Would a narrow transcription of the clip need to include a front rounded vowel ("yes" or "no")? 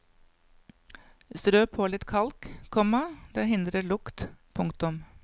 yes